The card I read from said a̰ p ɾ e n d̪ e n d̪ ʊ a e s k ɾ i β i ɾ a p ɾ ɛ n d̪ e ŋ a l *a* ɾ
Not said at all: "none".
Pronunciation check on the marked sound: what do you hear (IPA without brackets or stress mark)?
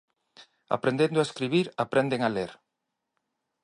e